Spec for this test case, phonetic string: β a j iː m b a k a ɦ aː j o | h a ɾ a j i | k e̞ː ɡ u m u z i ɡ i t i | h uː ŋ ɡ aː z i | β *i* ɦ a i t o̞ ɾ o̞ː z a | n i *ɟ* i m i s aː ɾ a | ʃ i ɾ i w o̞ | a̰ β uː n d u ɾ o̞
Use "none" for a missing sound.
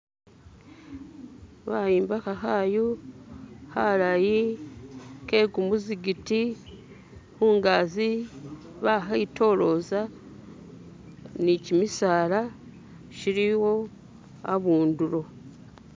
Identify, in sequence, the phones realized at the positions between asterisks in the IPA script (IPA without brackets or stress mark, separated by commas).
a, c